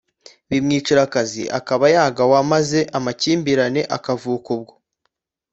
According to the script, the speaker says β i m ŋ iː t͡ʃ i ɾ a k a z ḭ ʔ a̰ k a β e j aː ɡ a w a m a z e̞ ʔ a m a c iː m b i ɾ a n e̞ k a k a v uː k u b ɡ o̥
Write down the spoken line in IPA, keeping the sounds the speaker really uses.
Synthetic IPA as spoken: β i m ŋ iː t͡ʃ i ɾ a k a z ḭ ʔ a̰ k a β a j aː ɡ a w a m a z e̞ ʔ a m a c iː m b i ɾ a n e̞ ʔ a k a v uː k u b ɡ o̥